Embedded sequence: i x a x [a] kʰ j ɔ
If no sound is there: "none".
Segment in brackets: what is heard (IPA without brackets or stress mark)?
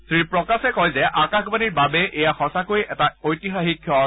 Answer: i